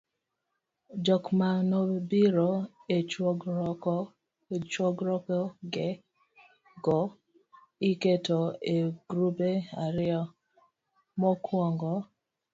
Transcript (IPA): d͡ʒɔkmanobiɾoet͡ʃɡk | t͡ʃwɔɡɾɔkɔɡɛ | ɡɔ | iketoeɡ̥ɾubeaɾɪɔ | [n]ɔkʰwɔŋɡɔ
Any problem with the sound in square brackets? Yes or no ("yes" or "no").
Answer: yes